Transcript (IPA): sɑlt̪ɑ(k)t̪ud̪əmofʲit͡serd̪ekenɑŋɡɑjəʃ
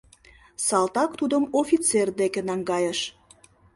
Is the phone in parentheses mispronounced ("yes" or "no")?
no